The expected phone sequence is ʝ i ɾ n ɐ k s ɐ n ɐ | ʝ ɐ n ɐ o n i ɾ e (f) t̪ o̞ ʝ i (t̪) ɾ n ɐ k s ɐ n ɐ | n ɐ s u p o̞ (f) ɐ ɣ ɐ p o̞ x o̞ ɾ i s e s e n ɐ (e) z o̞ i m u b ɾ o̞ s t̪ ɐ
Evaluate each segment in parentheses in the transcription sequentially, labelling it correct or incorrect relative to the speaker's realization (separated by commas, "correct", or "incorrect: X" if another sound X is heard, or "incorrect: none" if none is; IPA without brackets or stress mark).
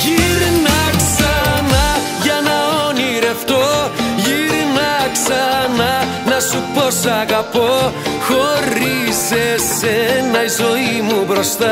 correct, incorrect: none, incorrect: s, incorrect: i